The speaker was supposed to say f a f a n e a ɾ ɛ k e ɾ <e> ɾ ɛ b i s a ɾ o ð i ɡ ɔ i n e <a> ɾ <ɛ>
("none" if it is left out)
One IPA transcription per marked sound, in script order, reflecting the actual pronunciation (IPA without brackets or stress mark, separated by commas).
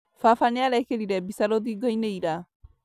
i, i, a